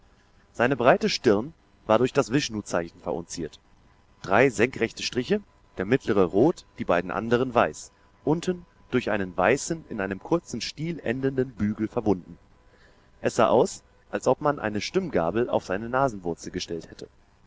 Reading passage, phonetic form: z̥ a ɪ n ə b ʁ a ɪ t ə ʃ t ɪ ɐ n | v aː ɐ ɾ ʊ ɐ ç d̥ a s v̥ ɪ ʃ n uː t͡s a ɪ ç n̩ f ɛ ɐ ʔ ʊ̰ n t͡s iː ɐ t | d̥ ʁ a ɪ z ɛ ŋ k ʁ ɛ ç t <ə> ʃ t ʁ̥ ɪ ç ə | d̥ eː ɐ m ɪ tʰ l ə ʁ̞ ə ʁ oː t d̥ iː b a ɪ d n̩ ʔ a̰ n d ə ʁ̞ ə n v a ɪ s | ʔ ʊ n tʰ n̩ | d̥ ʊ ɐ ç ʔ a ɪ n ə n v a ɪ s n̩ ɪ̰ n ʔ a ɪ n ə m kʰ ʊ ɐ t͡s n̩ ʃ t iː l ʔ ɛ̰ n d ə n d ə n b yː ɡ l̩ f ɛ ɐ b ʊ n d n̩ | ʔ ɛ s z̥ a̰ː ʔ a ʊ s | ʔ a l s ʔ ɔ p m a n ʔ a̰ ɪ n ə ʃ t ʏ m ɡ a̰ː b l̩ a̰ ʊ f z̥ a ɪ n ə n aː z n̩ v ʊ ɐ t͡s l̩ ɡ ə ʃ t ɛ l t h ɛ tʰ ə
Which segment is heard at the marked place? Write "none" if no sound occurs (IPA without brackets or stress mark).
ə